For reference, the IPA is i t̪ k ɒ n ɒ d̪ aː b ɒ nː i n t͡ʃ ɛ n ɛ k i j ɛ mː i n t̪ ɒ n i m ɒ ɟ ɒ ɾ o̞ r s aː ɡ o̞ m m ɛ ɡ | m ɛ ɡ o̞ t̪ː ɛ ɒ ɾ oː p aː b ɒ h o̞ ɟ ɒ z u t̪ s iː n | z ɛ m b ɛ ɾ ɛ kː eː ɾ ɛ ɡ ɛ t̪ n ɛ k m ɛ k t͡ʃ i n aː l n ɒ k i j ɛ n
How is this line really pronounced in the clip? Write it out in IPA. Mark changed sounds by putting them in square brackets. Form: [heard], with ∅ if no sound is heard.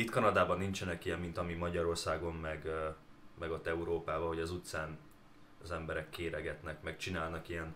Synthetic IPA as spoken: i t̪ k ɒ n ɒ d̪ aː b ɒ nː i n t͡ʃ ɛ n ɛ k i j ɛ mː i n t̪ ɒ [m] i m ɒ ɟ ɒ ɾ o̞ r s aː ɡ o̞ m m ɛ ɡ | m ɛ ɡ o̞ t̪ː ɛ [u] ɾ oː p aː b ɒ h o̞ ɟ ɒ z u t̪ s [aː] n | z ɛ m b ɛ ɾ ɛ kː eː ɾ ɛ ɡ ɛ t̪ n ɛ k m ɛ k t͡ʃ i n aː l n ɒ k i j ɛ n